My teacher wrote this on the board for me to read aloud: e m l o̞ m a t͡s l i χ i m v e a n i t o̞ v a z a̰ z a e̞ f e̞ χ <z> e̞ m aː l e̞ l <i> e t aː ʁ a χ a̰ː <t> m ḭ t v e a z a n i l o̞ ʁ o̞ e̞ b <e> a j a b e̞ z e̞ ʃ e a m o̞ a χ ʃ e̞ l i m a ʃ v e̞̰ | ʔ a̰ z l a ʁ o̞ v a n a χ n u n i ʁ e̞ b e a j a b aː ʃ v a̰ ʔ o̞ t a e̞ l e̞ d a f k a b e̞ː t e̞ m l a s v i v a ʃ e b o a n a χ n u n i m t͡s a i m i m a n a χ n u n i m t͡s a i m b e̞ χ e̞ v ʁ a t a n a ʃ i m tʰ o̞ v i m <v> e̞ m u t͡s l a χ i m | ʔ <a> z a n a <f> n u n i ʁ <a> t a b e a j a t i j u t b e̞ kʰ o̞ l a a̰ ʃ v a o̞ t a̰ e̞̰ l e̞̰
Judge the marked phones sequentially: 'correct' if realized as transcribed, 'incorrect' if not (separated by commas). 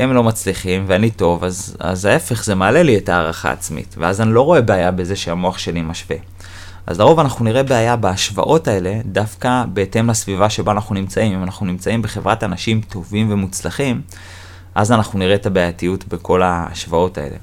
correct, correct, incorrect, correct, correct, correct, incorrect, incorrect